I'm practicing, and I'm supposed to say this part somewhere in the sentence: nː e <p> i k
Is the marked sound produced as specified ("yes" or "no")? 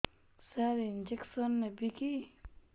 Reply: no